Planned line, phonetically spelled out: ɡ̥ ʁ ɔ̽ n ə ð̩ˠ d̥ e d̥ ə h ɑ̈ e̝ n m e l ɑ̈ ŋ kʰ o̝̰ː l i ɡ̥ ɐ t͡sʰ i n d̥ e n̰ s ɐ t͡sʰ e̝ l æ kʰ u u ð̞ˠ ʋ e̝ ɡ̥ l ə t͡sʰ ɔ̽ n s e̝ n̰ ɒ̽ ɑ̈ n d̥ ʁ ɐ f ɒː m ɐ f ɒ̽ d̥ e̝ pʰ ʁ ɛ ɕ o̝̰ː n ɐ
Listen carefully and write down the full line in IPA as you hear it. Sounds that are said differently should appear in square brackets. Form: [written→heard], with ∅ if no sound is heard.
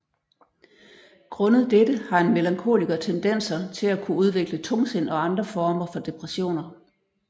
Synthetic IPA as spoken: ɡ̥ ʁ ɔ̽ n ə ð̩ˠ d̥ e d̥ ə h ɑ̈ e̝ n m e l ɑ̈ ŋ kʰ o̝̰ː l i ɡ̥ ɐ t͡sʰ [i→e] n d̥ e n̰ s ɐ t͡sʰ e̝ l æ kʰ u u ð̞ˠ ʋ e̝ ɡ̥ l ə t͡sʰ ɔ̽ [n→ŋ] s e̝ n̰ ɒ̽ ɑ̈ n d̥ ʁ ɐ f ɒː m ɐ f ɒ̽ d̥ e̝ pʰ ʁ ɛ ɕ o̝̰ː n ɐ